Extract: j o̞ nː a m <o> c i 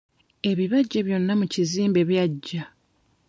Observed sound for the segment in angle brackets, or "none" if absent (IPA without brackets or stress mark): u